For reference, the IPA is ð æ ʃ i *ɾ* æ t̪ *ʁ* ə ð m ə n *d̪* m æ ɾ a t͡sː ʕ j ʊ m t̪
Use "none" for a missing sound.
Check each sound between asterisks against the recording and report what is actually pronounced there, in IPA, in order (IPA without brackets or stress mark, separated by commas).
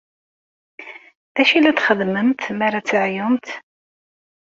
l, χ, t̪